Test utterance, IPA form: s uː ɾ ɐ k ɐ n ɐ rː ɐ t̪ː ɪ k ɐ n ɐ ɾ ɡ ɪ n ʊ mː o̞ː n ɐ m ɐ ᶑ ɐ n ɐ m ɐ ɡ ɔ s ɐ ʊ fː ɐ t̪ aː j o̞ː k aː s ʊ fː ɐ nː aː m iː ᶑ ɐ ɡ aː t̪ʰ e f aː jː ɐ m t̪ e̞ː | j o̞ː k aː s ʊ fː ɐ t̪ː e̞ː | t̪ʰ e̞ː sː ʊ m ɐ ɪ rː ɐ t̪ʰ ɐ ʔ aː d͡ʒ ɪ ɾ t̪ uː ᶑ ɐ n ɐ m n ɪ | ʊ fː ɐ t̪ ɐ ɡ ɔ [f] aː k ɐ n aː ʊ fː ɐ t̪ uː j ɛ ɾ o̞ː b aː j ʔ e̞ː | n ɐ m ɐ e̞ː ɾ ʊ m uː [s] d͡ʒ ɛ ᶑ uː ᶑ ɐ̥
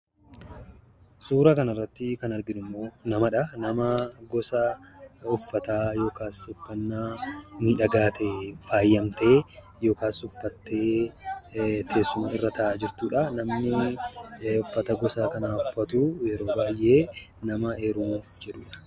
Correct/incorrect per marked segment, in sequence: incorrect: s, incorrect: f

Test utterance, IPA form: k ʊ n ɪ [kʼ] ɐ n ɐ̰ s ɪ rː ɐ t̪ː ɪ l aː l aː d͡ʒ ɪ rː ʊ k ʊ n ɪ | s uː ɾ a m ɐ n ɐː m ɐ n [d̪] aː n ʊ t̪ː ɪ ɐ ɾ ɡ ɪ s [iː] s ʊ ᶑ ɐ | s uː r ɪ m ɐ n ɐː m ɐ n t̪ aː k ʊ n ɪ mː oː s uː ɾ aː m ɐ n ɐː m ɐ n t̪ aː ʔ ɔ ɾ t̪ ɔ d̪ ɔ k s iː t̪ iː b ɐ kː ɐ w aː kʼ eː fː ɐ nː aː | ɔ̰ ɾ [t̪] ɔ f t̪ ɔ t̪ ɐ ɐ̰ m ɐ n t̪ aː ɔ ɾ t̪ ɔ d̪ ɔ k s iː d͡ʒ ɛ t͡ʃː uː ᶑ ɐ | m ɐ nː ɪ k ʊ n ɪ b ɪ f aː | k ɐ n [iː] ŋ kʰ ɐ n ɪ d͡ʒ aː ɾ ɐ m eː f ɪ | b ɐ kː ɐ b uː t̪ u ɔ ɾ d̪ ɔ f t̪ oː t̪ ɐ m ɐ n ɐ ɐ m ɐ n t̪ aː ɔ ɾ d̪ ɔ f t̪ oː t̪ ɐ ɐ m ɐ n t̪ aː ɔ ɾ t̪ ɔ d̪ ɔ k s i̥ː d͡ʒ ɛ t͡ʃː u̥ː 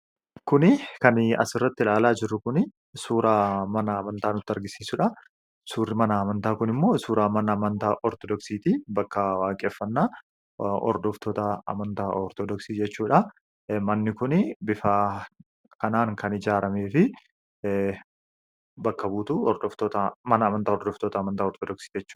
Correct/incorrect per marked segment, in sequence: incorrect: k, incorrect: t̪, correct, incorrect: d̪, incorrect: aː

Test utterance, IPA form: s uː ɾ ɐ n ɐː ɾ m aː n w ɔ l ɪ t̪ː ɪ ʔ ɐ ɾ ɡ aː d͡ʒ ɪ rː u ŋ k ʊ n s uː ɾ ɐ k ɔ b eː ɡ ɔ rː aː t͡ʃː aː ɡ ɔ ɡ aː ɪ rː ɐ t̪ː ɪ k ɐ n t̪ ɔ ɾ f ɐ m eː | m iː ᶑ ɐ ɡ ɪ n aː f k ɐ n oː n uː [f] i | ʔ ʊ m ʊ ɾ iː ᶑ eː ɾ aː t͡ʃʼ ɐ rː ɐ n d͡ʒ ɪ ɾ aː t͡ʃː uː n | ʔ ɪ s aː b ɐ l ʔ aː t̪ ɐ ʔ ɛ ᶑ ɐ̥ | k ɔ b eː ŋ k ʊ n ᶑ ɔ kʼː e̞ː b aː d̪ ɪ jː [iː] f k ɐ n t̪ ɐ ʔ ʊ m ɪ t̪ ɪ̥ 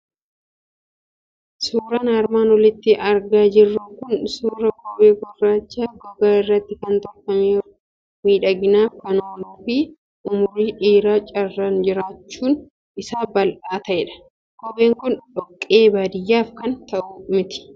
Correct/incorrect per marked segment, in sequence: correct, incorrect: aː

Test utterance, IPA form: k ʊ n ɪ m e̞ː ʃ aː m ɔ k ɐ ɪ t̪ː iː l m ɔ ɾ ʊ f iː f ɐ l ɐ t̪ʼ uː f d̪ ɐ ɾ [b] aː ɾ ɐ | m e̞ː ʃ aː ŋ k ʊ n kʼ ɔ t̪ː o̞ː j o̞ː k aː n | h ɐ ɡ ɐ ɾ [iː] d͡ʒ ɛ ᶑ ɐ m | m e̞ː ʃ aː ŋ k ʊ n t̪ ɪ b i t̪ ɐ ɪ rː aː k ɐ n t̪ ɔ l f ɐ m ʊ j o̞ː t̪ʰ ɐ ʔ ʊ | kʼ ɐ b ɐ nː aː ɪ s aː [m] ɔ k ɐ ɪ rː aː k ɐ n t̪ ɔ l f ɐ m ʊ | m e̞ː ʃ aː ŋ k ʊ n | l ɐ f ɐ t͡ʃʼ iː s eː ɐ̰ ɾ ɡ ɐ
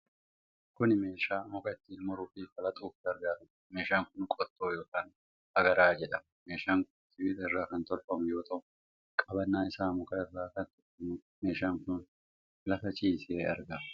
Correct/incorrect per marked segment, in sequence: incorrect: ɡ, incorrect: aː, correct

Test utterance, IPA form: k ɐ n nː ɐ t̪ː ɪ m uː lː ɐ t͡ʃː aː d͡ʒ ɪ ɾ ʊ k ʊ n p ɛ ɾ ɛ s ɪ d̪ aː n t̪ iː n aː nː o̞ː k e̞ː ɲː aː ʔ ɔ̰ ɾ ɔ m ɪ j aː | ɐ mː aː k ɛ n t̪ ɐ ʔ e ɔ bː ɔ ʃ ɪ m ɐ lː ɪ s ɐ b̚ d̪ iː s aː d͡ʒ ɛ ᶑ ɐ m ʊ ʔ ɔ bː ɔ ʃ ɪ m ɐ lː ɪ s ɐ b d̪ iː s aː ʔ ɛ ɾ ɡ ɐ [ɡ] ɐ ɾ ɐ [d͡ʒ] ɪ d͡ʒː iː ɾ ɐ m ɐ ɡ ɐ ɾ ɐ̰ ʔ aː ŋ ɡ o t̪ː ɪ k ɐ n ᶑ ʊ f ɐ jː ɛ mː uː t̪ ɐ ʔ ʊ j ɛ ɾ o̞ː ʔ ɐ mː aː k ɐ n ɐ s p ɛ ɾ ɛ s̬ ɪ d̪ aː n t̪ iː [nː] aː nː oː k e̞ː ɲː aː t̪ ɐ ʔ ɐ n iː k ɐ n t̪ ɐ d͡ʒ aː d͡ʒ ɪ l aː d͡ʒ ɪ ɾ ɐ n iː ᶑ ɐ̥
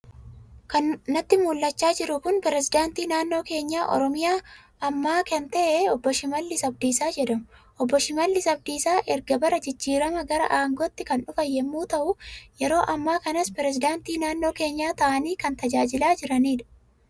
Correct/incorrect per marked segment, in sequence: incorrect: b, correct, incorrect: n

